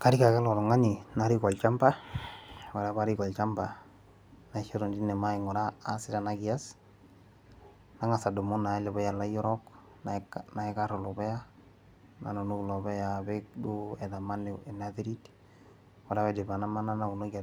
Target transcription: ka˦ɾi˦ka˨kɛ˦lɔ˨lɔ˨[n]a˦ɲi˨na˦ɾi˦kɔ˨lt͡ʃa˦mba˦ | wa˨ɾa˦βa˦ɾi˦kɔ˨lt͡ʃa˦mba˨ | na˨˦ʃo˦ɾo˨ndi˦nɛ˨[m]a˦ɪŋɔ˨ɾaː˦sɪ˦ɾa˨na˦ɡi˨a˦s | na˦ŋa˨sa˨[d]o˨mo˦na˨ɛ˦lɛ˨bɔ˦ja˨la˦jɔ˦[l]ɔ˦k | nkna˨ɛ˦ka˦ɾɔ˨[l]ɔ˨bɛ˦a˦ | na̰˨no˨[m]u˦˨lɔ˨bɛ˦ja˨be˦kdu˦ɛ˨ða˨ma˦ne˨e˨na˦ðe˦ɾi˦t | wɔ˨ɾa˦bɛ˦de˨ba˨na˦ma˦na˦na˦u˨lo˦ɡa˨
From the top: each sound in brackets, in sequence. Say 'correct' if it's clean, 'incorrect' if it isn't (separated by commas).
incorrect, correct, correct, incorrect, correct, incorrect